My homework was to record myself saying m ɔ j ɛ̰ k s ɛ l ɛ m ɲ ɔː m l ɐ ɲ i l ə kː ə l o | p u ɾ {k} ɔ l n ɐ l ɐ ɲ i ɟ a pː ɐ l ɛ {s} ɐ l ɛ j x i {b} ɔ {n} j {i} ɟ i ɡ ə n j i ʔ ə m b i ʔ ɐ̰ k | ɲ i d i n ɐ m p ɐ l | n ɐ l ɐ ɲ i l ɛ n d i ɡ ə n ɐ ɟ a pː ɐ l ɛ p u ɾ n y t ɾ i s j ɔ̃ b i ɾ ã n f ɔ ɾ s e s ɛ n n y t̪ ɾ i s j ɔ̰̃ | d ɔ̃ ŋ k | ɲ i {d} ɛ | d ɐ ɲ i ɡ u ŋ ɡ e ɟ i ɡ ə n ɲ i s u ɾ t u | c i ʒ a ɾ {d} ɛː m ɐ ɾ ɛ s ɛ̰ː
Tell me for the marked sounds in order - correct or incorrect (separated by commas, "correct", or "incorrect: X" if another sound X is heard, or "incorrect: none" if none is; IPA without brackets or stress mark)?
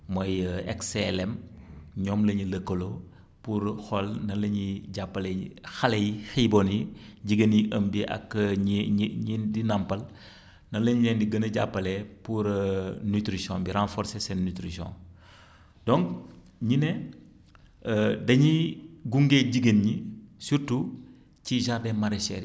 incorrect: x, incorrect: x, correct, correct, correct, incorrect: n, correct